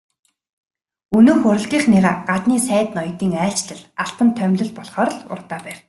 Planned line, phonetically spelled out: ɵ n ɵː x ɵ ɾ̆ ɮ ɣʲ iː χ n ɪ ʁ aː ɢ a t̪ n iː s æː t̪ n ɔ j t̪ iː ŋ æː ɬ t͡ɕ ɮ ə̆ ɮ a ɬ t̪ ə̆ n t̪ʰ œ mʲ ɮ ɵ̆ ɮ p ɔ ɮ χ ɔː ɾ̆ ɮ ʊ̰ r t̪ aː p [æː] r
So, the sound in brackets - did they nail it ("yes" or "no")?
yes